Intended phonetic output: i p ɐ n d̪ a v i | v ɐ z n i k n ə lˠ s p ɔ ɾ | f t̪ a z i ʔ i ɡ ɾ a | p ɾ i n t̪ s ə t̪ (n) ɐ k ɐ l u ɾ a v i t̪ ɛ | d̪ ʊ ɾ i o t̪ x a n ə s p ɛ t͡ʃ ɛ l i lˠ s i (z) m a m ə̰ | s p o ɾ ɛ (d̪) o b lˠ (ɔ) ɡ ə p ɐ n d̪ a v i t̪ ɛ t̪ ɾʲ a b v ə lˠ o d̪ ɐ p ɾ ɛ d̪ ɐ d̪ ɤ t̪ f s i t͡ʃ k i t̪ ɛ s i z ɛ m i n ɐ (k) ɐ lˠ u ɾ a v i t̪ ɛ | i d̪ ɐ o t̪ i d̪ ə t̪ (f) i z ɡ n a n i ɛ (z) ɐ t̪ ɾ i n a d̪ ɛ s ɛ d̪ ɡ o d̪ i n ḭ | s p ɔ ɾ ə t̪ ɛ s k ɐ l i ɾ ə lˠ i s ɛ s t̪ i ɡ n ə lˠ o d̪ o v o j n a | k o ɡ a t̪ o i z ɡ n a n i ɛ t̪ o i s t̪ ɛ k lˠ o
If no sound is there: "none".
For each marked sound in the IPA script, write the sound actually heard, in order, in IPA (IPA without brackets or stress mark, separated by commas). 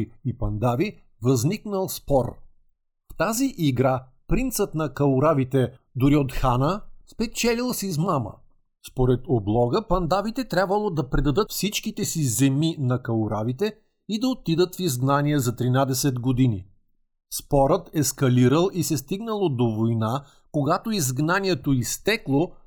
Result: n, z, t̪, ɔ, k, f, z